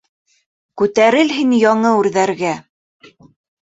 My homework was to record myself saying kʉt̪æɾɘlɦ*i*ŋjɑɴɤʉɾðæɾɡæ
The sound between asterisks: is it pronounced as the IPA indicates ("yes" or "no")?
yes